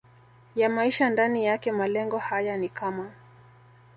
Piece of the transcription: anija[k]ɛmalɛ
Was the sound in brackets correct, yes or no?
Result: yes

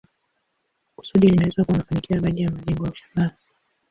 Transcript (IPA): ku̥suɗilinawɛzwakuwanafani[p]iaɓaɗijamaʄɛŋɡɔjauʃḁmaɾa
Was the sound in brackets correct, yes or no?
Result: no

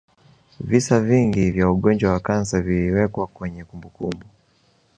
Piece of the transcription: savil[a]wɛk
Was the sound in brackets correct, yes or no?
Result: no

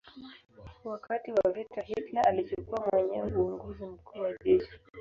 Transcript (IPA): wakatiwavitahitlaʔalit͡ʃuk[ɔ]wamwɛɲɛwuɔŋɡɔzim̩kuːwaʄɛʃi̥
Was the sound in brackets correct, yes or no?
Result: no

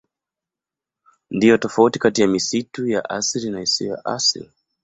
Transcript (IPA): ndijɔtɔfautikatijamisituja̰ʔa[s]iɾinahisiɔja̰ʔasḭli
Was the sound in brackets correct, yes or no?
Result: yes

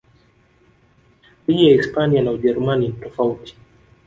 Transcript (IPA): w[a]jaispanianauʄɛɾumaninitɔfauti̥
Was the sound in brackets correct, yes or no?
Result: no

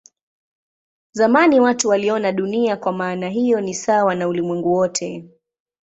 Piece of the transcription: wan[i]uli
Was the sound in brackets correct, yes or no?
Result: no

